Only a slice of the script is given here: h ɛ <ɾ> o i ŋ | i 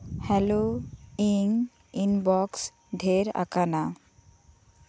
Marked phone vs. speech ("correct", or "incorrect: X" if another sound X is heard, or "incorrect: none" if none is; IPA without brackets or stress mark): incorrect: l